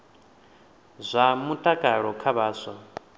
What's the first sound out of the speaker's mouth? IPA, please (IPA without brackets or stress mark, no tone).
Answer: zʷ